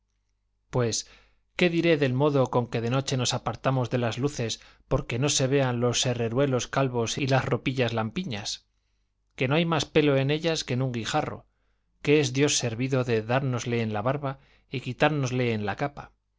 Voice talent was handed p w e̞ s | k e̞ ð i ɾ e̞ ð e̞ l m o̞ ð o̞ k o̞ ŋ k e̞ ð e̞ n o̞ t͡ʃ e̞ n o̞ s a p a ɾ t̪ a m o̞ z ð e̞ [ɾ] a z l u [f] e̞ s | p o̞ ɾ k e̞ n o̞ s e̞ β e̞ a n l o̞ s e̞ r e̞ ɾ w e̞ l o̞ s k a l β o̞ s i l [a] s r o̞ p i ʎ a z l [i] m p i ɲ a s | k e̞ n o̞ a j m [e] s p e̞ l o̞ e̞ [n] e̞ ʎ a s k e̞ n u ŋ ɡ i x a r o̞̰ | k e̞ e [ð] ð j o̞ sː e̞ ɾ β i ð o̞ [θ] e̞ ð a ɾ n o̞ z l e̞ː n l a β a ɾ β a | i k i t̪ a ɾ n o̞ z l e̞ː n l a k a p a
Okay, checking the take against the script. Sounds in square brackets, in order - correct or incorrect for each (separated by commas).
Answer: incorrect, incorrect, correct, incorrect, incorrect, correct, incorrect, incorrect